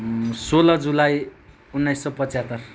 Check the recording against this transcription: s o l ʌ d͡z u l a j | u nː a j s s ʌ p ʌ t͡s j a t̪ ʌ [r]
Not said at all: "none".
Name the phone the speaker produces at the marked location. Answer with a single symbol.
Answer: r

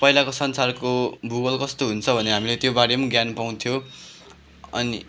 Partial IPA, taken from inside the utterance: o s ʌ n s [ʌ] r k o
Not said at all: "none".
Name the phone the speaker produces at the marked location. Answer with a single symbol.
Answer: a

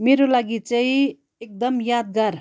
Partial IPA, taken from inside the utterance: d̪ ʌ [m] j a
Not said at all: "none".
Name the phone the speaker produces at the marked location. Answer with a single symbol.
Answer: m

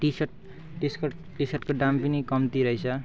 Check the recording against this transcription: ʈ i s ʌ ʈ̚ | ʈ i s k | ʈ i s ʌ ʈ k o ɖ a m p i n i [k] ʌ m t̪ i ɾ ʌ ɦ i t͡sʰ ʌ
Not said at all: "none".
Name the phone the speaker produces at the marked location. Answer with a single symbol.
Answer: k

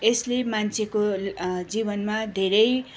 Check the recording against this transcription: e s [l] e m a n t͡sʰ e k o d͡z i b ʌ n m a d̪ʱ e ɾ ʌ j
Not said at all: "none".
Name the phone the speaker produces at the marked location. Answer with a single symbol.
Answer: l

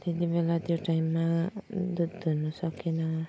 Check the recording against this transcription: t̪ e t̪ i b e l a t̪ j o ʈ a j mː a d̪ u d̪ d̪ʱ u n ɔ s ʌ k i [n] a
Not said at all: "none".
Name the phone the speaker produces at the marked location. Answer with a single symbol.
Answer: n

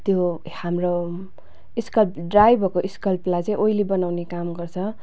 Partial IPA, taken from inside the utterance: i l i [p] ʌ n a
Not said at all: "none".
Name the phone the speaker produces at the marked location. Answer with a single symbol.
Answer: b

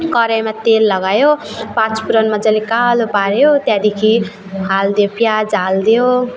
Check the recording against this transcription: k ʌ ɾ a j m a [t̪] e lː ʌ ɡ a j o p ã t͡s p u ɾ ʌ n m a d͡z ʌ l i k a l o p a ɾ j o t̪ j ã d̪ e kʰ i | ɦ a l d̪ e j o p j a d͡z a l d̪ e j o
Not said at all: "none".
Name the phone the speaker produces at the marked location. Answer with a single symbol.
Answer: t̪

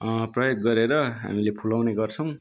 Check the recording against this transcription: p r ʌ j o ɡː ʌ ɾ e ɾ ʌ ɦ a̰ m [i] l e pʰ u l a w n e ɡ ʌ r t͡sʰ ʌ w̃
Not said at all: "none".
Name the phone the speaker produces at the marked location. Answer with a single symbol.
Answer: i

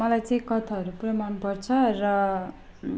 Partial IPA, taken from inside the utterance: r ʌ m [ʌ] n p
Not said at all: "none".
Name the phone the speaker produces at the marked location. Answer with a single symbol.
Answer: a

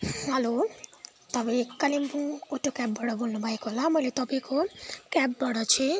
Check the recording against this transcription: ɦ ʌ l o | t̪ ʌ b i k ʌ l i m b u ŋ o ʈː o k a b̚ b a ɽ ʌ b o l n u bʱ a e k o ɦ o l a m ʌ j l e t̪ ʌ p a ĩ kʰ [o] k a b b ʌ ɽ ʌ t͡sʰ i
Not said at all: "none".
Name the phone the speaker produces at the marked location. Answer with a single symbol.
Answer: o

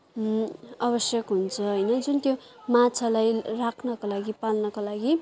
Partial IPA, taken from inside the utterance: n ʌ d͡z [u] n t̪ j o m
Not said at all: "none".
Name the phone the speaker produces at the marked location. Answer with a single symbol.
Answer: u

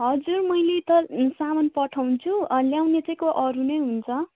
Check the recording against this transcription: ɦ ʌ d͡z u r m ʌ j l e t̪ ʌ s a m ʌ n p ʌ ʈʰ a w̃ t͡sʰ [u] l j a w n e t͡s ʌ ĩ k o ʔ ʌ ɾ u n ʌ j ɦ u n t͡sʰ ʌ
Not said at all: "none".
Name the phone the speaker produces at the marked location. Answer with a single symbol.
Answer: u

